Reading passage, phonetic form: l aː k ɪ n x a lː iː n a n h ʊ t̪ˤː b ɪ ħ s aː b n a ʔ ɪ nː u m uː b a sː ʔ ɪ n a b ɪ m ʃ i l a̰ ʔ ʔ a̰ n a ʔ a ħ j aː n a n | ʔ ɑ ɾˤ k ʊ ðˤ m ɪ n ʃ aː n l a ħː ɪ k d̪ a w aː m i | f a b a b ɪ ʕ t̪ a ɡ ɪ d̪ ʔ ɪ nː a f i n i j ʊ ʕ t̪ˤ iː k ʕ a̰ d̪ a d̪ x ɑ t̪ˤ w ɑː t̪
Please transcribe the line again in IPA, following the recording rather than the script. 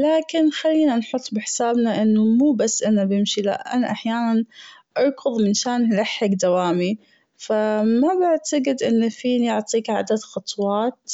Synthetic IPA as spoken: l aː k ɪ n x a lː iː n a n ħ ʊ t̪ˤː b ɪ ħ s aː b n a ʔ ɪ nː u m uː b a sː ʔ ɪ n a b ɪ m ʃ i l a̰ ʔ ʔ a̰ n a ʔ a ħ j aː n a n | ʔ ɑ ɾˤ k ʊ ðˤ m ɪ n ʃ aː n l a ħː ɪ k d̪ a w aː m i | f a m a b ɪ ʕ t̪ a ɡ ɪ d̪ ʔ ɪ nː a f iː n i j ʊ ʕ t̪ˤ iː k ʕ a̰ d̪ a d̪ x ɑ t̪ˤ w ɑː t̪

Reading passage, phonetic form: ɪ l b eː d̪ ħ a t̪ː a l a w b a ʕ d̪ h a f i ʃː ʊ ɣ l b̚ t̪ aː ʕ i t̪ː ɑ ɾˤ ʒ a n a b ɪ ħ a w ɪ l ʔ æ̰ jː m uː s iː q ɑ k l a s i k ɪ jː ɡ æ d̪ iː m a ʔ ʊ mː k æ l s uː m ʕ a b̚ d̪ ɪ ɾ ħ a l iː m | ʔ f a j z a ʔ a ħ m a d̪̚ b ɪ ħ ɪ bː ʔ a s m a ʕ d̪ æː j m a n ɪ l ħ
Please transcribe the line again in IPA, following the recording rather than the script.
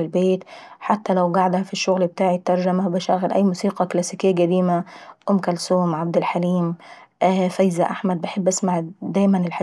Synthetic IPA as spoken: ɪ l b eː t̪ ħ a t̪ː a l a w ɡ a ʕ d̪ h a f i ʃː ʊ ɣ l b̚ t̪ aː ʕ i t̪ː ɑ ɾˤ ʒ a m a b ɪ ʃ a ɣ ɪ l ʔ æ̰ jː m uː s iː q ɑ k l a s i k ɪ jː ɡ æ d̪ iː m a ʔ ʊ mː k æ l s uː m ʕ a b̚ d̪ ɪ l ħ a l iː m | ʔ f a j z a ʔ a ħ m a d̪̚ b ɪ ħ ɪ bː ʔ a s m a ʕ d̪ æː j m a n ɪ l ħ

